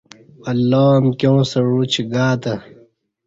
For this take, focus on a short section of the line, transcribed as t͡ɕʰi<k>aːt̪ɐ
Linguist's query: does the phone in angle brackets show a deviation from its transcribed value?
yes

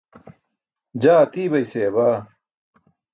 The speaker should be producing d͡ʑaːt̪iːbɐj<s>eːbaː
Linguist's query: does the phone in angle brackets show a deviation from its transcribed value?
no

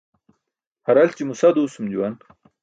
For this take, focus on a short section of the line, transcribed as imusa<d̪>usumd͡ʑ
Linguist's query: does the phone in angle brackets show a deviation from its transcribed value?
no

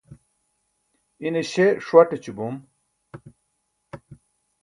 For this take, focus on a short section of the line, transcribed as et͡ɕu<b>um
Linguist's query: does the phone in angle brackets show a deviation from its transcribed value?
no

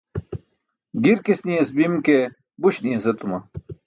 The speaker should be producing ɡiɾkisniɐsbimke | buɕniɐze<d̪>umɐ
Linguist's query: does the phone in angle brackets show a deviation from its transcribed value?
yes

